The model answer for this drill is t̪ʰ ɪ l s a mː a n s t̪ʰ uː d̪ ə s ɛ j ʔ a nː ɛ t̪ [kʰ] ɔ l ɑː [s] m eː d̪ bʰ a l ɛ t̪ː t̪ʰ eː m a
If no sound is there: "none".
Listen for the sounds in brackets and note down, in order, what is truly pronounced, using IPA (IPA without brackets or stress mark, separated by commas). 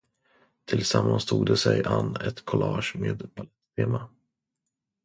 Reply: kʰ, ʂ